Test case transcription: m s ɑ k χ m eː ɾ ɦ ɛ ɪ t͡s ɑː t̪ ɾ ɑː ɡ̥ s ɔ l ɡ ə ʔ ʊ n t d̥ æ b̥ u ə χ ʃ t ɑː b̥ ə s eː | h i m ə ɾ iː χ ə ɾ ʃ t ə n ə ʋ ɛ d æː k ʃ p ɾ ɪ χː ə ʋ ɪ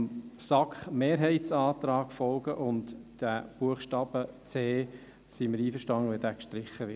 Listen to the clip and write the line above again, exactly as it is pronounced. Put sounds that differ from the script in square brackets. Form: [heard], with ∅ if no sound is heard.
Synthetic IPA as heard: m s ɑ k χ m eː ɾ ɦ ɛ ɪ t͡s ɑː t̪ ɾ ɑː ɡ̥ [f] ɔ l ɡ ə ʔ ʊ n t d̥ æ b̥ u ə χ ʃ t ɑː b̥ ə [t͡s] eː | [s] i m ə ɾ iː [f] ə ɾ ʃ t [ɑ] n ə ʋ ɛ d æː k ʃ [t] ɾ ɪ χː ə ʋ ɪ